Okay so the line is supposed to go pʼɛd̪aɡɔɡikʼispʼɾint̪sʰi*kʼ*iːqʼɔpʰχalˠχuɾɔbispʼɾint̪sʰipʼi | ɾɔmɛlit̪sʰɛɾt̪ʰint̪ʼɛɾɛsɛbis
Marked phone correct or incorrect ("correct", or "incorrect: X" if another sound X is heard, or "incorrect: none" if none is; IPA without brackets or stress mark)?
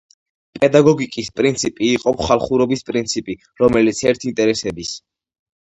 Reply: incorrect: pʼ